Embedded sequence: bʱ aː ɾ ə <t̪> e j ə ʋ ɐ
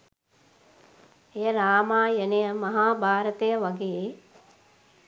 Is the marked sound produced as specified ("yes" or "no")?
yes